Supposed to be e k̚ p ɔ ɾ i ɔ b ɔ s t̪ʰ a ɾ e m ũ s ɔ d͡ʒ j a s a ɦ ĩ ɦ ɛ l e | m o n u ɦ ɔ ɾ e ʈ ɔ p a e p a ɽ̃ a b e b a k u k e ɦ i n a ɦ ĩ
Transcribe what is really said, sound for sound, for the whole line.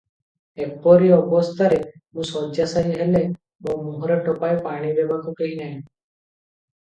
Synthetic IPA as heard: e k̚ p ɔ ɾ i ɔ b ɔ s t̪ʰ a ɾ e m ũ s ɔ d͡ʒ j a s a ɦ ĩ ɦ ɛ l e | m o m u ɦ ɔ ɾ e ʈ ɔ p a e p a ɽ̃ i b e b a k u k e ɦ i n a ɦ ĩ